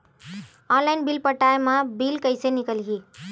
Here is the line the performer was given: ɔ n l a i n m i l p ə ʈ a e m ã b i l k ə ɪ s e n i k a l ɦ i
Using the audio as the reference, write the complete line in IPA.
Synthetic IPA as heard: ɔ n l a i n b i l p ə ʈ a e m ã b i l k ə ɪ s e n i k ə l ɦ i